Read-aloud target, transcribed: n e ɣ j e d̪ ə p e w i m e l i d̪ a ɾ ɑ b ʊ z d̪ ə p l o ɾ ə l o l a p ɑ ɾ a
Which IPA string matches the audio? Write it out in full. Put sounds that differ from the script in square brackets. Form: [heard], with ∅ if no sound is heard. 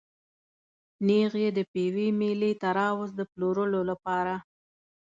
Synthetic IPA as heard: n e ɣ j e d̪ ə p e w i m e l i [t̪] a ɾ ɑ [w] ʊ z d̪ ə p l o ɾ ə l o l a p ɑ ɾ a